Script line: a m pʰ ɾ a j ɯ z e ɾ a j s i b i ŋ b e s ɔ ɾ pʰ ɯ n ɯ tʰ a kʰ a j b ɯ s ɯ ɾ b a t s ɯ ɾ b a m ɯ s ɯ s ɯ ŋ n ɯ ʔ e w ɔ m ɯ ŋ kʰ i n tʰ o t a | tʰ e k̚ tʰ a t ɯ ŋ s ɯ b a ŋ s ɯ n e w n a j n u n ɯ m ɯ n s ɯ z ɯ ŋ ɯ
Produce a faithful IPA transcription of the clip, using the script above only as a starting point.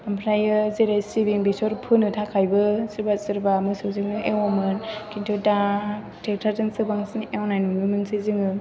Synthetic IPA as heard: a m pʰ ɾ a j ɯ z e ɾ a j s i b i ŋ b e s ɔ ɾ pʰ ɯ n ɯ tʰ a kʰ a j b ɯ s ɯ ɾ b a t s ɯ ɾ b a m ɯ s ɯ z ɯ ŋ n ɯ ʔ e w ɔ m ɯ n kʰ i n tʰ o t a | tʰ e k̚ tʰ a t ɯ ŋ s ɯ b a ŋ s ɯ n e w n a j n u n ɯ m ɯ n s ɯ z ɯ ŋ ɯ